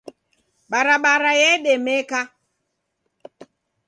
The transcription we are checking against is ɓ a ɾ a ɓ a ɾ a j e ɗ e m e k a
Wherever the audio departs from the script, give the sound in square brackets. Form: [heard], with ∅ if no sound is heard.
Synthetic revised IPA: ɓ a ɾ a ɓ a ɾ a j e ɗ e m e k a